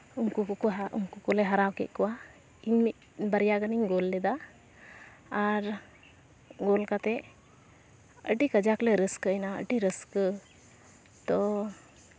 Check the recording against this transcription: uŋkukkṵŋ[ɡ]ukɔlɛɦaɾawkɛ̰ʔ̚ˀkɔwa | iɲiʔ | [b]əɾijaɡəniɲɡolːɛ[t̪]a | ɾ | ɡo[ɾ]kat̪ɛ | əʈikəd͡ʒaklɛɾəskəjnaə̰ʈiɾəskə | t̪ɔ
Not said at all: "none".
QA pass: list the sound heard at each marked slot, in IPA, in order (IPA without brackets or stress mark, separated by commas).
k, b, d̪, l